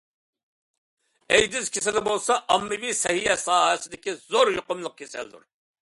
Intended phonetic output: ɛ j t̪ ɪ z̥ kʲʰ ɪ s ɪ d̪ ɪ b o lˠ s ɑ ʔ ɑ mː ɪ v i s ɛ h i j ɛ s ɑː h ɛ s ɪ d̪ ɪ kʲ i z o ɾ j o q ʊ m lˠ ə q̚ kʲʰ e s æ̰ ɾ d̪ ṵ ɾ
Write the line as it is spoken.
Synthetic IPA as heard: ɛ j d̪ ɪ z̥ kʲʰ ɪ s ɪ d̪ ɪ b o lˠ s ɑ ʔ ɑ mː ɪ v i s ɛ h i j ɛ s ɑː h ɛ s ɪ d̪ ɪ kʲ i z o ɾ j o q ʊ m lˠ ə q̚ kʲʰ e s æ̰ l d̪ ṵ ɾ